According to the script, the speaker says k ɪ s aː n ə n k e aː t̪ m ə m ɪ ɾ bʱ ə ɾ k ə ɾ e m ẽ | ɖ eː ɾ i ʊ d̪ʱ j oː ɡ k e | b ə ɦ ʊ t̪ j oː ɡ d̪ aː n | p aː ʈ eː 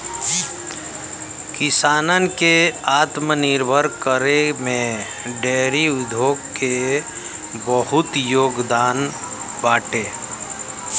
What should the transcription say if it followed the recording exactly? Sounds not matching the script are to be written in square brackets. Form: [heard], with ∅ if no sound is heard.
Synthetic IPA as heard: k ɪ s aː n ə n k e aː t̪ m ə [n] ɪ ɾ bʱ ə ɾ k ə ɾ e m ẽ | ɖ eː ɾ i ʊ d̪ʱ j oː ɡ k e | b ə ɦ ʊ t̪ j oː ɡ d̪ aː n | [b] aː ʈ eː

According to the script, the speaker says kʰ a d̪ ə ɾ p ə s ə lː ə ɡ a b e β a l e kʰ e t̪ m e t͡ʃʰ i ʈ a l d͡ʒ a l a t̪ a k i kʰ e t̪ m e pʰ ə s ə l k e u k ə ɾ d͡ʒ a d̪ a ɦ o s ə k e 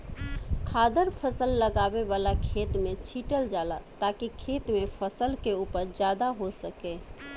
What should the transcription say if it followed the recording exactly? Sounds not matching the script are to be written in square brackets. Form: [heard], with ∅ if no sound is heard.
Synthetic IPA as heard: kʰ a d̪ ə ɾ [pʰ] ə s ə lː ə ɡ a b e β a l [a] kʰ e t̪ m e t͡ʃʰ i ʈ [ə] l d͡ʒ a l a t̪ a k i kʰ e t̪ m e pʰ ə s ə l k e u [p] ə ɾ d͡ʒ a d̪ a ɦ o s ə k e

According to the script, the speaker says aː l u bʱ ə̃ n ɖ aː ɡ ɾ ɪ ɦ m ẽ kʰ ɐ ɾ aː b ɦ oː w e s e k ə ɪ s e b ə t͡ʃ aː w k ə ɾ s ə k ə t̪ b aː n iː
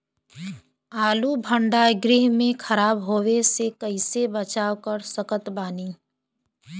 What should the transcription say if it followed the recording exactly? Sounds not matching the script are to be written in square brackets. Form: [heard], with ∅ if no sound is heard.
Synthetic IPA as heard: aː l u bʱ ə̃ [ɳ] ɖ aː ɡ ɾ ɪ ɦ m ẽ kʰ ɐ ɾ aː b ɦ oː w e s e k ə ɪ s e b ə t͡ʃ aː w k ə ɾ s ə k ə t̪ b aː n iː

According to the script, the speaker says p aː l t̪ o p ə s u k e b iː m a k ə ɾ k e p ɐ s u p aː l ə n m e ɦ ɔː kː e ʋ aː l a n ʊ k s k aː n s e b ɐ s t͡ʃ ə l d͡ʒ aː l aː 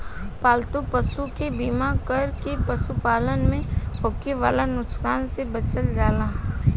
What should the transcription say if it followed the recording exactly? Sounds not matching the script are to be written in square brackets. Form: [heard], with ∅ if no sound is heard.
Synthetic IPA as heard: p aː l t̪ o p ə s u k e b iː m a k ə ɾ k e p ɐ s u p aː l ə n m [ẽ] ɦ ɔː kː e ʋ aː l a n ʊ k s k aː n s e b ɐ [∅] t͡ʃ ə l d͡ʒ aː l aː

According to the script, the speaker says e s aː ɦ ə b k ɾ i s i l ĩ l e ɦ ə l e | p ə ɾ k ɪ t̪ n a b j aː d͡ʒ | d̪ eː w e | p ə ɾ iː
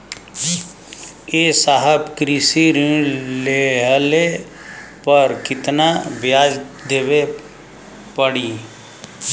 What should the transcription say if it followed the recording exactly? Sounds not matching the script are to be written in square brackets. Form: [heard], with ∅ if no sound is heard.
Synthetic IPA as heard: e s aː ɦ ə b k ɾ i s i [ɾ] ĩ l e ɦ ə l e | p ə ɾ k ɪ t̪ n a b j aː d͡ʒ | d̪ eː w e | p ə [ɽ] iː

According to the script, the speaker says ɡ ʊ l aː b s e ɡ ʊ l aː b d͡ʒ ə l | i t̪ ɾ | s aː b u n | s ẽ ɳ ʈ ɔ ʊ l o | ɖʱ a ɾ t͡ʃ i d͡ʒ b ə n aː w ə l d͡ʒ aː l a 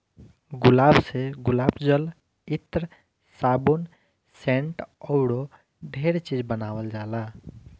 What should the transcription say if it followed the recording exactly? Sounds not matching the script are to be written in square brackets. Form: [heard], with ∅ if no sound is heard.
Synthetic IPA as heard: ɡ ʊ l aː b s e ɡ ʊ l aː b d͡ʒ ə l | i t̪ ɾ | s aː b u n | s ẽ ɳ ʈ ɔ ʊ [ɽ] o | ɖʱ [e] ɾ t͡ʃ i d͡ʒ b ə n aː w ə l d͡ʒ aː l a

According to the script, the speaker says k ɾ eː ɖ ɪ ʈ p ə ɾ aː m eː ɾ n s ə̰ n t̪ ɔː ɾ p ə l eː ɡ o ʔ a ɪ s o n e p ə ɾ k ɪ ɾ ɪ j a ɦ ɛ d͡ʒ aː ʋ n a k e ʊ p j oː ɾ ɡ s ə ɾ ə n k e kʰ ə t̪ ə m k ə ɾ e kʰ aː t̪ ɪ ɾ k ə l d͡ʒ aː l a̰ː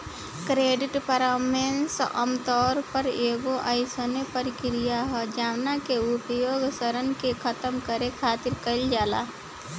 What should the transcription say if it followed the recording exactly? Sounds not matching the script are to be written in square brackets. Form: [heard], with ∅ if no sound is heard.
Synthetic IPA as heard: k ɾ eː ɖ ɪ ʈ p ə ɾ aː m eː [∅] n s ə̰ [m] t̪ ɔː ɾ p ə [ɾ] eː ɡ o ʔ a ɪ s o n e p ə ɾ k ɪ ɾ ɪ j a ɦ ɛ d͡ʒ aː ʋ n a k e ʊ p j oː [∅] ɡ s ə ɾ ə n k e kʰ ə t̪ ə m k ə ɾ e kʰ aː t̪ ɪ ɾ k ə l d͡ʒ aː l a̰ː

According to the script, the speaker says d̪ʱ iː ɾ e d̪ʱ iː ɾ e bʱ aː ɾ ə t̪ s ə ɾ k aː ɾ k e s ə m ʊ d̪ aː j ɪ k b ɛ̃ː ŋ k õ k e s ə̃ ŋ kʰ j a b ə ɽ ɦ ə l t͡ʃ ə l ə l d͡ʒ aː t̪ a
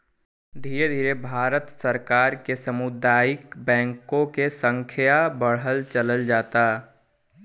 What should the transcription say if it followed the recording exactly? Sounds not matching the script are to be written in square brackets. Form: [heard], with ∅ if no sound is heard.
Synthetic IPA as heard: d̪ʱ iː ɾ e d̪ʱ iː ɾ e bʱ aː ɾ ə t̪ s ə ɾ k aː ɾ k e s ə m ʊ d̪ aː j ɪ k b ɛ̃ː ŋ k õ k e s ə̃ ŋ kʰ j a b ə ɽ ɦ ə l t͡ʃ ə l ə l d͡ʒ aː t̪ a

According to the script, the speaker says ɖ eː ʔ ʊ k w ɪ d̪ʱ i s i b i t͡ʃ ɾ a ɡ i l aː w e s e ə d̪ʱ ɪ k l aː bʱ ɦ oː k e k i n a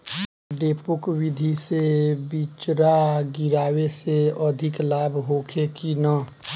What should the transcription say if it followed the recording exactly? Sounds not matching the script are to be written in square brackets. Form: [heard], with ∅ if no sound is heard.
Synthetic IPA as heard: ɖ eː [p] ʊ k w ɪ d̪ʱ i s [e] b i t͡ʃ ɾ a ɡ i [ɾ] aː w e s e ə d̪ʱ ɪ k l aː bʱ ɦ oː [kʰ] e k i n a

